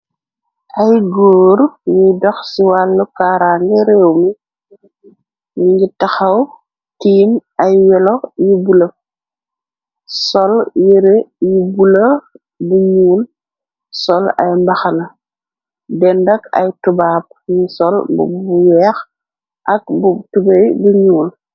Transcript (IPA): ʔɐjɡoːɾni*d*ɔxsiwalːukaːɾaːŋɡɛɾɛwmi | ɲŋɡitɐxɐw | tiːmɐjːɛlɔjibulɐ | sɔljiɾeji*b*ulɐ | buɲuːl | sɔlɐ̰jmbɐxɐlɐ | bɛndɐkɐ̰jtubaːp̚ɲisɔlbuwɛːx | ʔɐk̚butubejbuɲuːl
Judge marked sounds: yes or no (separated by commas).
yes, yes